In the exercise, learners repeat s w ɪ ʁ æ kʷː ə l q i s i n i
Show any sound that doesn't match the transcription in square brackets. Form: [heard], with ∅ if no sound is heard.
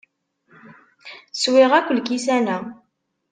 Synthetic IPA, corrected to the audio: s w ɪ ʁ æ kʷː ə l [k] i s [æ] n [æ]